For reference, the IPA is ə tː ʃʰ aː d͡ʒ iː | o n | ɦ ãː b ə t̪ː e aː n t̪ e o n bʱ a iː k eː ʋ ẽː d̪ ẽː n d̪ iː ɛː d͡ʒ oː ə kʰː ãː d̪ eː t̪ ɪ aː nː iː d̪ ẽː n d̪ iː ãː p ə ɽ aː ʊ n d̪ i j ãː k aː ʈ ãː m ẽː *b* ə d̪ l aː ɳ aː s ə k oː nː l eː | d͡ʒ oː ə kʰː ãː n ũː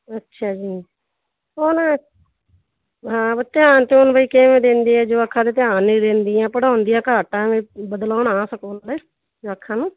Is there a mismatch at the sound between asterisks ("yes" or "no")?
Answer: no